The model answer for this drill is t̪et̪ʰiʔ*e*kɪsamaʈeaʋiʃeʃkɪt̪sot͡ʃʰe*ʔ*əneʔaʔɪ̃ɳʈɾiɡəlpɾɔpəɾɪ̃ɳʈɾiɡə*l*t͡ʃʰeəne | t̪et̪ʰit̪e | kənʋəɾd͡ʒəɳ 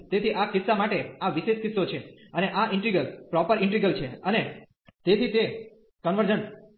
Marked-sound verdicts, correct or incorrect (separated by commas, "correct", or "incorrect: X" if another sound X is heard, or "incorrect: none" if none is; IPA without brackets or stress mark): incorrect: a, incorrect: none, correct